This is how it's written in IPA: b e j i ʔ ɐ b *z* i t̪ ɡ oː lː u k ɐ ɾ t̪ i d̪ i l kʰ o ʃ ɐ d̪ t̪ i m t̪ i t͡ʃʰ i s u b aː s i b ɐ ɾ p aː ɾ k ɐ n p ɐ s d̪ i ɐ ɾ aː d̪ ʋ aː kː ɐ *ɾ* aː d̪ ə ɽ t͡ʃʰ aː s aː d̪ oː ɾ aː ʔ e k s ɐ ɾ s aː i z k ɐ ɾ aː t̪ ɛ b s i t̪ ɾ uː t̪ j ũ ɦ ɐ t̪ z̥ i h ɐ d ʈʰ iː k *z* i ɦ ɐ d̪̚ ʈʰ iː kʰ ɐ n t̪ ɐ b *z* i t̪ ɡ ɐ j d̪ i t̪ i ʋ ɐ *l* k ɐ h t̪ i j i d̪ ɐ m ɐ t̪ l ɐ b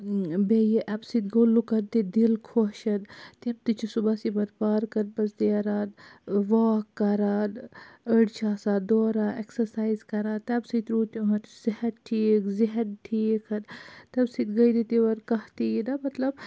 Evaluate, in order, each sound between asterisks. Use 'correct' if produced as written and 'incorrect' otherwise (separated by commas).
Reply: incorrect, correct, correct, incorrect, incorrect